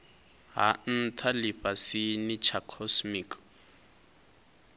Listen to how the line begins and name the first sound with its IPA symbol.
ɦ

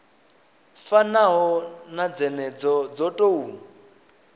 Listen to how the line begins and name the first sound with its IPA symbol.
f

